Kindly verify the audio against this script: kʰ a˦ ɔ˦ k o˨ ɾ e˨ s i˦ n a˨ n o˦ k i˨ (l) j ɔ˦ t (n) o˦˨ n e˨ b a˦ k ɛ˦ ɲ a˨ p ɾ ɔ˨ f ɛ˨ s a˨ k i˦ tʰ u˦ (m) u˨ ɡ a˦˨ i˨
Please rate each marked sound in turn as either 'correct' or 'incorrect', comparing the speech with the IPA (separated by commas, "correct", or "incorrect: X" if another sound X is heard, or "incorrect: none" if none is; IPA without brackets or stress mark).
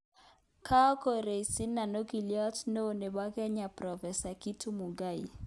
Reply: correct, correct, correct